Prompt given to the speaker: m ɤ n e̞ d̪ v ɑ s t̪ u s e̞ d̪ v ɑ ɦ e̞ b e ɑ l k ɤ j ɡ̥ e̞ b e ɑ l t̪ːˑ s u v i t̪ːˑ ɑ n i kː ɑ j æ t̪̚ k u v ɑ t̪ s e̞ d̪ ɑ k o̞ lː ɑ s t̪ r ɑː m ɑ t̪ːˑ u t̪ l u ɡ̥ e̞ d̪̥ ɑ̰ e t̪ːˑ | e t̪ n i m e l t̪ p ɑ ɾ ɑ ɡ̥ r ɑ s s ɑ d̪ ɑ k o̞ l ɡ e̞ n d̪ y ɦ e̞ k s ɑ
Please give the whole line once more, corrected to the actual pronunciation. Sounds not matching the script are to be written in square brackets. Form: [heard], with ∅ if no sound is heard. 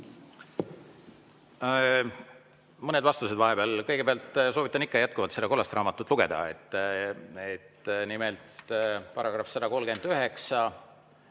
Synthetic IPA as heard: m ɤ n e̞ d̪ v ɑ s t̪ u s e̞ d̪ v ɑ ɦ e̞ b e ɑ l k ɤ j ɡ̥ e̞ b e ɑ l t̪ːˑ s [o] v i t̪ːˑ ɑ n i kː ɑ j æ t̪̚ k u v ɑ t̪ s e̞ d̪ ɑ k o̞ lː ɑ s t̪ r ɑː m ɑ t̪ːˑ u t̪ l u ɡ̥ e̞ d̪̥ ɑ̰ e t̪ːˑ | e t̪ n i m e l t̪ p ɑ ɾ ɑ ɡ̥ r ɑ [f] s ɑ d̪ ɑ k o̞ l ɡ e̞ n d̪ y ɦ e̞ k s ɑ